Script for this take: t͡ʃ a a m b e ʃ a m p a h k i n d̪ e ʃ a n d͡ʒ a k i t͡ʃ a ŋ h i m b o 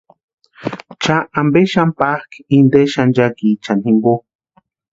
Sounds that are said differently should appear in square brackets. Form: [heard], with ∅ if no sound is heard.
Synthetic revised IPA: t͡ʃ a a m b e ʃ a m p a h k i n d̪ e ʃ a n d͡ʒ a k i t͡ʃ a [n] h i m b o